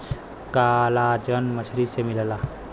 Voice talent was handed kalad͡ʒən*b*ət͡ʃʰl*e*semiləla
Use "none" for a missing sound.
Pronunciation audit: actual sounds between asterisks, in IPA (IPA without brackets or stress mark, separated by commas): m, i